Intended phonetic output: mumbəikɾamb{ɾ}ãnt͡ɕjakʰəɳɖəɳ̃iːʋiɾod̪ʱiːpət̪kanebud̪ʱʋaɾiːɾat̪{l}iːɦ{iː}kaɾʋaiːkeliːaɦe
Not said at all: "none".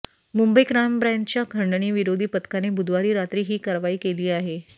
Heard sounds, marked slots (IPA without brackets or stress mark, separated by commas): ɾ, ɾ, iː